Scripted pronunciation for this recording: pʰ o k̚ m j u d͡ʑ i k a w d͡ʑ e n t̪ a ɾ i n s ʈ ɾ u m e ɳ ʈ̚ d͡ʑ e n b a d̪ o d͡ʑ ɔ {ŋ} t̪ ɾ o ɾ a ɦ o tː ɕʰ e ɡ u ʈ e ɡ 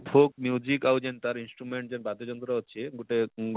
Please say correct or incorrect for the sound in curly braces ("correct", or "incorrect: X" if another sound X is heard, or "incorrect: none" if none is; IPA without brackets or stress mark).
incorrect: n